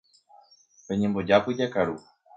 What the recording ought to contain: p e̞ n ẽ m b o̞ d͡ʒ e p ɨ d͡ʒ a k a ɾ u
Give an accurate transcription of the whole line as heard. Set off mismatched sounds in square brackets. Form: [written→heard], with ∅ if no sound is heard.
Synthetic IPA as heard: p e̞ [n→ɲ] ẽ m b o̞ d͡ʒ [e→a] p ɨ d͡ʒ a k a ɾ u

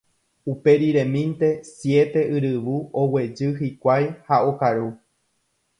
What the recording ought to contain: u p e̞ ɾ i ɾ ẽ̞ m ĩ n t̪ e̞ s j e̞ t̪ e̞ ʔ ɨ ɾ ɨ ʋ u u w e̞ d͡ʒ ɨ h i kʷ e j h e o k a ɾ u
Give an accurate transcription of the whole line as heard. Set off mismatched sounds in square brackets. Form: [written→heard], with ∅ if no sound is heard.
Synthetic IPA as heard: u p e̞ ɾ i ɾ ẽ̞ m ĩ n t̪ e̞ s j e̞ t̪ e̞ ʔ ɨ ɾ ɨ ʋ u [u→o] w e̞ d͡ʒ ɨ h i kʷ [e→a] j h [e→a] o k a ɾ u

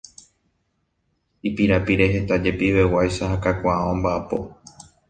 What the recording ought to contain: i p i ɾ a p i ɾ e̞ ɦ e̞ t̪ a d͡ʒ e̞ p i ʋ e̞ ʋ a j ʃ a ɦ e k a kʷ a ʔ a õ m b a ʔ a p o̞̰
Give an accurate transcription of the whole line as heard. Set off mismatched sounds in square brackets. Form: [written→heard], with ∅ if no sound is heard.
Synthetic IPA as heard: i p i ɾ a p i ɾ e̞ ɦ e̞ t̪ a d͡ʒ e̞ p i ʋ e̞ [ʋ→w] a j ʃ a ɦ [e→a] k a kʷ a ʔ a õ m b a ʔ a p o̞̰

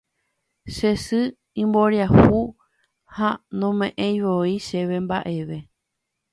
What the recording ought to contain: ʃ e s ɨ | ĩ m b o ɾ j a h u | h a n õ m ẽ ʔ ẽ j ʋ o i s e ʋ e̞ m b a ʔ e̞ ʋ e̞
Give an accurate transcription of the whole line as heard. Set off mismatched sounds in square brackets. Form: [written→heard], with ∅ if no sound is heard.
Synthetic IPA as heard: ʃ e s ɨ | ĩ m b o ɾ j a h u | h a n õ m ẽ ʔ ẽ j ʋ o i [s→ʃ] e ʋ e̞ m b a ʔ e̞ ʋ e̞

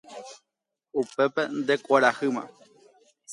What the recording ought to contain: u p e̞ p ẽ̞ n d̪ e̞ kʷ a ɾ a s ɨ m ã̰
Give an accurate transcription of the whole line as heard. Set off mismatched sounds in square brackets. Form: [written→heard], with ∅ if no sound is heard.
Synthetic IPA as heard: u p e̞ p [ẽ̞→e̞] n d̪ e̞ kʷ a ɾ a [s→h] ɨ m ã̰

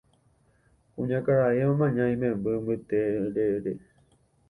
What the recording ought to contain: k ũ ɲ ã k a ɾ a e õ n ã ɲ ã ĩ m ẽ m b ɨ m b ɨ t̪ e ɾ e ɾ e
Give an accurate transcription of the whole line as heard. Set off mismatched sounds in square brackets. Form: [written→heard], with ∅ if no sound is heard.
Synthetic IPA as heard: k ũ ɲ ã k a ɾ a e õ [n→m] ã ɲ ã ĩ m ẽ m b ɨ m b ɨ t̪ e ɾ e ɾ e

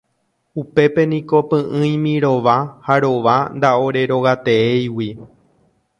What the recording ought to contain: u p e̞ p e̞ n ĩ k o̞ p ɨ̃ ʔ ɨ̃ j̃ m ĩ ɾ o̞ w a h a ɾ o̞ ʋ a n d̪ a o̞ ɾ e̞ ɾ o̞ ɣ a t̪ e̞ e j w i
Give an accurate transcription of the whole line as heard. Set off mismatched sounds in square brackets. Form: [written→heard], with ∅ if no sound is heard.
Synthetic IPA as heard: u p e̞ p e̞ n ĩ k o̞ p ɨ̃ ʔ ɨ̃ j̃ m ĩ ɾ o̞ [w→ʋ] a h a ɾ o̞ ʋ a n d̪ a o̞ ɾ e̞ ɾ o̞ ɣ a t̪ e̞ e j w i

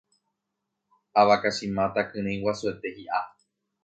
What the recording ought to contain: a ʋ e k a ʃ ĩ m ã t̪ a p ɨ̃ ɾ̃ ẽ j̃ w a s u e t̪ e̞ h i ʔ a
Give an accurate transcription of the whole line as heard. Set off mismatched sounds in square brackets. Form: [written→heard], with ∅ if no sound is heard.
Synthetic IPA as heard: a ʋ [e→a] k a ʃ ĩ m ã t̪ a [p→k] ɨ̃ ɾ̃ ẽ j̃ w a s u e t̪ e̞ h i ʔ a

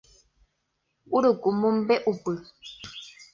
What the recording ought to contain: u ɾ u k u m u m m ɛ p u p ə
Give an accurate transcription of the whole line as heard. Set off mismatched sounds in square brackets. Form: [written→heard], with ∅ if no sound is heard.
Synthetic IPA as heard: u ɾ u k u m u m [m→b] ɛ [p→ʔ] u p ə

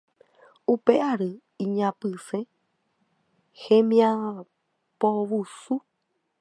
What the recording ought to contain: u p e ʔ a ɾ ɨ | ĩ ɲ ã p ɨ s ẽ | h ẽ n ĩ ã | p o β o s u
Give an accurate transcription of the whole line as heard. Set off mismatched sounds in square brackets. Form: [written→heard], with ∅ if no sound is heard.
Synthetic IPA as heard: u p e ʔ a ɾ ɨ | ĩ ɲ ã p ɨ s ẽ | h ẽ [n→m] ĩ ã | p o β [o→u] s u

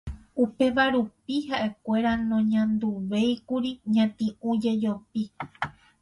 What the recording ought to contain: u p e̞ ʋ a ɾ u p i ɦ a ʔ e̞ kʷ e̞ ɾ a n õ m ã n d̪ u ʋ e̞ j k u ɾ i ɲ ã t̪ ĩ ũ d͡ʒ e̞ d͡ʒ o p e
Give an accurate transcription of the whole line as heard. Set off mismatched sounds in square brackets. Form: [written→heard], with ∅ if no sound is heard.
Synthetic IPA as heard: u p e̞ ʋ a ɾ u p i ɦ a ʔ e̞ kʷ e̞ ɾ a n õ [m→ɲ] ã n d̪ u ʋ e̞ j k u ɾ i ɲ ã t̪ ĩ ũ d͡ʒ e̞ d͡ʒ o p [e→i]

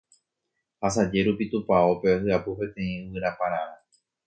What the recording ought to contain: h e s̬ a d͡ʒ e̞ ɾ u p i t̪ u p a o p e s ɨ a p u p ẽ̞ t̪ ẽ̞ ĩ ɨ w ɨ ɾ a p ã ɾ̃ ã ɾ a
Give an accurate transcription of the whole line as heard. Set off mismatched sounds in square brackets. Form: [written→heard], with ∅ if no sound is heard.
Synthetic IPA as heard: h [e→a] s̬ a d͡ʒ e̞ ɾ u p i t̪ u p a o p e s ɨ a p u p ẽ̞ t̪ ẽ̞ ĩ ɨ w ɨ ɾ a p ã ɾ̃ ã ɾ a

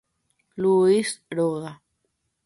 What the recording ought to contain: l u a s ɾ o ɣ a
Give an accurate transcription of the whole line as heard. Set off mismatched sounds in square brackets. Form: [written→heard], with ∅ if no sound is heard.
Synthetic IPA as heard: l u [a→i] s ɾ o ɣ a

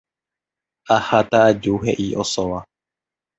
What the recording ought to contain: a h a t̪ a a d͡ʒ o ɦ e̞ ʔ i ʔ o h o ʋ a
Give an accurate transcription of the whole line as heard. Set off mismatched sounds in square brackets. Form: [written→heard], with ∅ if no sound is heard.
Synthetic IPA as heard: a h a t̪ a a d͡ʒ [o→u] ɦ e̞ ʔ i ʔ o [h→s] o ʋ a

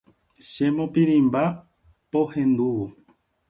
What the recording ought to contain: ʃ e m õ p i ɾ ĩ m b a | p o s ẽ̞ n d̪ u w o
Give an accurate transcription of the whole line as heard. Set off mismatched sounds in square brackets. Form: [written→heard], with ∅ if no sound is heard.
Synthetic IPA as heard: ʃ e m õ p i ɾ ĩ m b a | p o [s→h] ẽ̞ n d̪ u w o

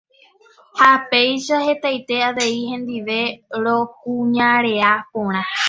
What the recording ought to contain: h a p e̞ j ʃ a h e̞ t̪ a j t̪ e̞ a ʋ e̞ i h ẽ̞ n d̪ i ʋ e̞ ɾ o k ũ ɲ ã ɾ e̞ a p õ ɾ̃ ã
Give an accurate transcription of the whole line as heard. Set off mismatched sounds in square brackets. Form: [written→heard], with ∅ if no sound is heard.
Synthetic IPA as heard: h a p e̞ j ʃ a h e̞ t̪ a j t̪ e̞ a ʋ e̞ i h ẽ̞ n d̪ i ʋ e̞ ɾ o k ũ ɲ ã ɾ e̞ a p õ ɾ̃ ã

